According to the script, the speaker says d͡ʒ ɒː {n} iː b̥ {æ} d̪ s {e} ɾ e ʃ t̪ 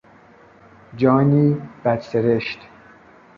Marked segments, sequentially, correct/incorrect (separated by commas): correct, correct, correct